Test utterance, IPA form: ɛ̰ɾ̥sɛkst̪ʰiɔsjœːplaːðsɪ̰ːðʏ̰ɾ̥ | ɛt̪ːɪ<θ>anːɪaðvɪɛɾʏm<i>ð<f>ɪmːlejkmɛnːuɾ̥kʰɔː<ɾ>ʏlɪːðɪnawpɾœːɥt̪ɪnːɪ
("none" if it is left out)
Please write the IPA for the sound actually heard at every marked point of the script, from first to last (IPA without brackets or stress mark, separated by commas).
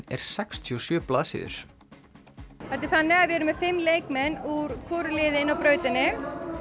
θ, ɛ, f, ɾ